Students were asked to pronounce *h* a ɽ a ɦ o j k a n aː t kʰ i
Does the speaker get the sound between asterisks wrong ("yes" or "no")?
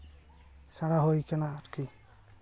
yes